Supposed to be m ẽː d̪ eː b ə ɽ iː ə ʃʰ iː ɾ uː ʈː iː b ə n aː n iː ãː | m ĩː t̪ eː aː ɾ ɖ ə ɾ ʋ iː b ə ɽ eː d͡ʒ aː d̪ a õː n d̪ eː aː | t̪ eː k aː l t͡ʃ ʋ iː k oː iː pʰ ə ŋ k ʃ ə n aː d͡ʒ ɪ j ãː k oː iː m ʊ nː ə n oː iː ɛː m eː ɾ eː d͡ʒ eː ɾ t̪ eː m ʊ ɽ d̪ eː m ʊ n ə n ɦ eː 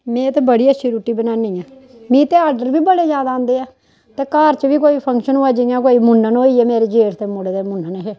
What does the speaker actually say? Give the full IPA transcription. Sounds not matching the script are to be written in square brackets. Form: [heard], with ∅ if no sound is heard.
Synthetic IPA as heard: m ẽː [t̪] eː b ə ɽ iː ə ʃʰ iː ɾ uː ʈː iː b ə n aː n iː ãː | m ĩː t̪ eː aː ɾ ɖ ə ɾ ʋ iː b ə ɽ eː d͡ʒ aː d̪ a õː n d̪ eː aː | t̪ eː k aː [ɾ] t͡ʃ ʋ iː k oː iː pʰ ə ŋ k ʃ ə n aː d͡ʒ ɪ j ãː k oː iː m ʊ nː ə n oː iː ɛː m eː ɾ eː d͡ʒ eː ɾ t̪ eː m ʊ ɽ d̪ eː m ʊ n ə n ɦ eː